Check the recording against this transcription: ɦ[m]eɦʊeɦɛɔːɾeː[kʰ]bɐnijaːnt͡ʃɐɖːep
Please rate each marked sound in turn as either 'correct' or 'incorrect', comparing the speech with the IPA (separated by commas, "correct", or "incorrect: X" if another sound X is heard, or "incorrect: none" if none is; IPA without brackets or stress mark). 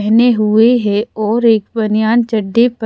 incorrect: n, incorrect: k